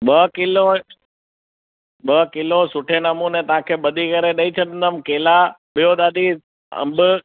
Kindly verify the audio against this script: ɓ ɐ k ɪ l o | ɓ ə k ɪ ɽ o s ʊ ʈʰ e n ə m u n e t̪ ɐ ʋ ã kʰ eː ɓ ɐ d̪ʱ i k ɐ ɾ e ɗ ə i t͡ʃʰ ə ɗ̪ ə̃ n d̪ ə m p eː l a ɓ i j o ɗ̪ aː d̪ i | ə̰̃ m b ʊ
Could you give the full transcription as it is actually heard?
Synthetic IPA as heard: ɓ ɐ k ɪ l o | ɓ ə k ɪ l o s ʊ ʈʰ e n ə m u n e t̪ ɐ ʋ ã kʰ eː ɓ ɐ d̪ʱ i k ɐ ɾ e ɗ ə i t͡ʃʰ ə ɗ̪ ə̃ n d̪ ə m k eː l a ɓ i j o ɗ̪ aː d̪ i | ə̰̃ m b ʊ